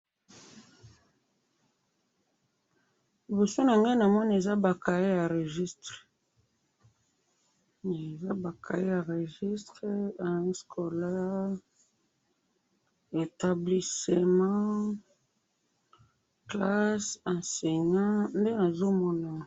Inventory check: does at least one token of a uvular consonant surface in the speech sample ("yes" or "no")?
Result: yes